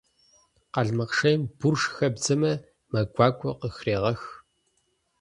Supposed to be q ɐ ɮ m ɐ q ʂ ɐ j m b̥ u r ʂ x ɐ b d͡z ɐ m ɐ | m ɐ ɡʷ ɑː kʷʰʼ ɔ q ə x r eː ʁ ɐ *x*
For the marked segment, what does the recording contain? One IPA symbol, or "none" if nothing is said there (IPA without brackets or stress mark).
x